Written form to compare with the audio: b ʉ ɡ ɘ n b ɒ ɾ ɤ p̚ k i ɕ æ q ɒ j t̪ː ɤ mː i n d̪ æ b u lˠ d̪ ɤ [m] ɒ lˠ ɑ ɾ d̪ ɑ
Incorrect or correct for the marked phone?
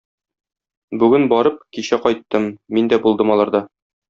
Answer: correct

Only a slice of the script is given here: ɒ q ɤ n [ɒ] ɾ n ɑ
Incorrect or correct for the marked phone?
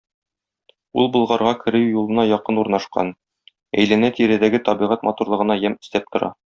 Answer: incorrect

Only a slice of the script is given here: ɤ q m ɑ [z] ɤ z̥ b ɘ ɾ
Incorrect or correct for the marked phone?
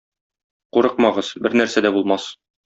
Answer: incorrect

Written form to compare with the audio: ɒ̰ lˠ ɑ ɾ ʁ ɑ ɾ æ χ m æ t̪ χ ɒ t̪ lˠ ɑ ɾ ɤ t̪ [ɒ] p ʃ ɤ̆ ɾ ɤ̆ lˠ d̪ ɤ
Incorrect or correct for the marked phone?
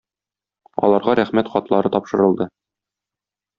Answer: correct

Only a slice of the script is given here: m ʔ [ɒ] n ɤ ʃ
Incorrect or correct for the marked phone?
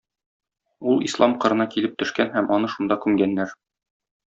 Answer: correct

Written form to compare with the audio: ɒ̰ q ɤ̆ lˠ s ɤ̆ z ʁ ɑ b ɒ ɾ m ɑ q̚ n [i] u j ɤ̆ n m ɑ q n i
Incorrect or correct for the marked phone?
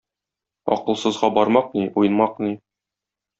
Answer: correct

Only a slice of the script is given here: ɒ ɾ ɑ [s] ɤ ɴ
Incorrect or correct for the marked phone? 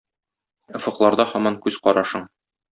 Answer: incorrect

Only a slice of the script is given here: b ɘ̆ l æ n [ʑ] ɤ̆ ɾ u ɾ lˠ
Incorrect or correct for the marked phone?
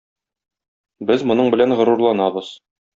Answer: incorrect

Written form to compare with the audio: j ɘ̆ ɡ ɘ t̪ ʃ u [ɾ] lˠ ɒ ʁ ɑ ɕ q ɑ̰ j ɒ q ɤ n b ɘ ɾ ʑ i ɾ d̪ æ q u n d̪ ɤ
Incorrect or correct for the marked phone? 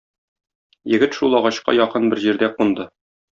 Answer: incorrect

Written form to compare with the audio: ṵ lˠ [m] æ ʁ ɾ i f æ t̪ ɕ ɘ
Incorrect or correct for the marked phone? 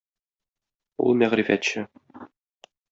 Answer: correct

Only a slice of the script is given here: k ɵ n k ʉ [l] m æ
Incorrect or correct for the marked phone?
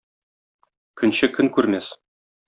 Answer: incorrect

